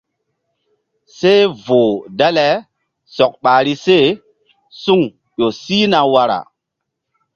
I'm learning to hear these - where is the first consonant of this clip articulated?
tongue tip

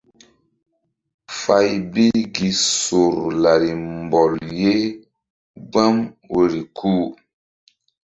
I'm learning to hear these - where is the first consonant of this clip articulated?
lips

